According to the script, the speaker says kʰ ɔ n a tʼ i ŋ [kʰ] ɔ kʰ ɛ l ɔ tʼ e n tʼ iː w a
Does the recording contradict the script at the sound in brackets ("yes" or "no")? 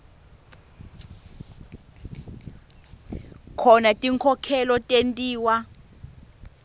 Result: no